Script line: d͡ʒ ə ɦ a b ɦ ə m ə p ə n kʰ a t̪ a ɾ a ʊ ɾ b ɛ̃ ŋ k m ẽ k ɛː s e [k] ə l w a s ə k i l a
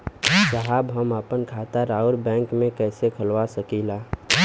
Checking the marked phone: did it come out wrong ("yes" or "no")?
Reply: yes